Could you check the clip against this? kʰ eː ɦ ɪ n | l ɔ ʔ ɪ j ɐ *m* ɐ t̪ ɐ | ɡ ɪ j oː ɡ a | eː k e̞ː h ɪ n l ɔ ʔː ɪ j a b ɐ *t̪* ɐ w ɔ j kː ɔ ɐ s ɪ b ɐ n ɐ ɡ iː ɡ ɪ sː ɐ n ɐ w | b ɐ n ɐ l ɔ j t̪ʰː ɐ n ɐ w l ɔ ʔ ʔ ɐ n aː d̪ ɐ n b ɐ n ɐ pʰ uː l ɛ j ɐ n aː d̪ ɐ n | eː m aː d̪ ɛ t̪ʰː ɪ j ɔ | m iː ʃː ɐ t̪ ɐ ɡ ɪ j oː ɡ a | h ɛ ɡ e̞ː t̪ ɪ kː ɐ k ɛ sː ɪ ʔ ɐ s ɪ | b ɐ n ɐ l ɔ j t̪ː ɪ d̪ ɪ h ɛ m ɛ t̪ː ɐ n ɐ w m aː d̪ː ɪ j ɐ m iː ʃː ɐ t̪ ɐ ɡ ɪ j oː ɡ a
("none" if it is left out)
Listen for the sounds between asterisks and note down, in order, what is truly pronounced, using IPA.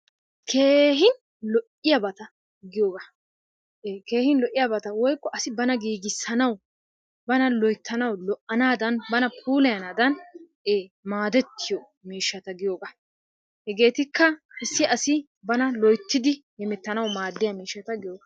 b, t̪

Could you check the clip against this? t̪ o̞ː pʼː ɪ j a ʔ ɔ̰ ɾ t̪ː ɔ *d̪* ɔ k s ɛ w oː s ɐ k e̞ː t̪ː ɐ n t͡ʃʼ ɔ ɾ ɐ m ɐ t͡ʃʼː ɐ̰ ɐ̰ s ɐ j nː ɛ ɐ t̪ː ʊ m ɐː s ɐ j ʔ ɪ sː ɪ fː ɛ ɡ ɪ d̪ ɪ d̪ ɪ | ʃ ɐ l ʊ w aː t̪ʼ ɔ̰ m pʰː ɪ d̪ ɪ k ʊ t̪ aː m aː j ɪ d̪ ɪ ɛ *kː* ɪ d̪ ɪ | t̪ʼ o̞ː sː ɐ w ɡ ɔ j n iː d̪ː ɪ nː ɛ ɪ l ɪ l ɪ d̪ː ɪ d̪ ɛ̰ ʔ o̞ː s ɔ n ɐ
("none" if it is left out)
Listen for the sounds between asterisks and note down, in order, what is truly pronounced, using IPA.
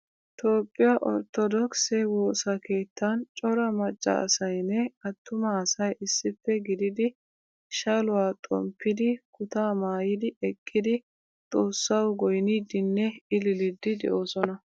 d̪, kʼː

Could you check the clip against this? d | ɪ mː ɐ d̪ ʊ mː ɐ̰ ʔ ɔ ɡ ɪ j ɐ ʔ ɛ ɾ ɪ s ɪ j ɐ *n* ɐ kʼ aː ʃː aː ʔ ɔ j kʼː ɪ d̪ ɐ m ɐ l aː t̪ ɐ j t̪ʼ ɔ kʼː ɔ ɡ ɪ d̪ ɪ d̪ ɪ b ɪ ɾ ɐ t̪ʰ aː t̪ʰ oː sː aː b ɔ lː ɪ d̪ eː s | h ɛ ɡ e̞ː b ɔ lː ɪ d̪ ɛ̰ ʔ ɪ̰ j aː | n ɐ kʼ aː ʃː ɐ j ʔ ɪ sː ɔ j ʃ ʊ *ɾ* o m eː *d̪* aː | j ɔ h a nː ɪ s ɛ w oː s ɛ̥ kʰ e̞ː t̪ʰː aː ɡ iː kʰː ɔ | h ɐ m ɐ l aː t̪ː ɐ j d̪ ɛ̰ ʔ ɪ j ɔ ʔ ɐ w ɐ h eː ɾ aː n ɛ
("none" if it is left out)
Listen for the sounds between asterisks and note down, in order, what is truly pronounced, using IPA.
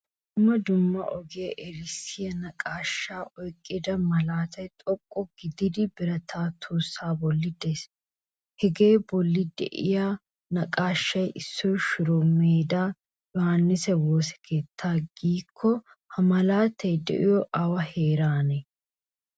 n, ɾ, d̪

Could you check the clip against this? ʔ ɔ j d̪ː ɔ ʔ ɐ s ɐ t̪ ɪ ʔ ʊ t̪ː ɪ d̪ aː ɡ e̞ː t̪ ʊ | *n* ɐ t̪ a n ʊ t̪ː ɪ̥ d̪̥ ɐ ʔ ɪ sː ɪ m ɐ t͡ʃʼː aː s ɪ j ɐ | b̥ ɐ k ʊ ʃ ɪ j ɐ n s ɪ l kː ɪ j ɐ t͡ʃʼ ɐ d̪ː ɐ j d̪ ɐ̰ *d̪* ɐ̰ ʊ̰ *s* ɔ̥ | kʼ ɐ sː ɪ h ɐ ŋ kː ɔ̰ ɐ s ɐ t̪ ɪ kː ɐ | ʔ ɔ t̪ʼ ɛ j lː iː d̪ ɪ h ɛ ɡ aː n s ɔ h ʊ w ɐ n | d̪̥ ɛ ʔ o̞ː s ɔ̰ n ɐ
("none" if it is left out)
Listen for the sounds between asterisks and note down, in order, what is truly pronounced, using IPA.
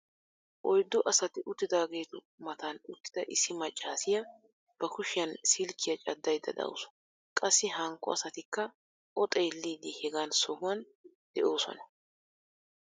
m, d̪, s

